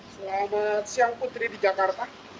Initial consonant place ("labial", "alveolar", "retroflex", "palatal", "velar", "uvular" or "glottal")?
alveolar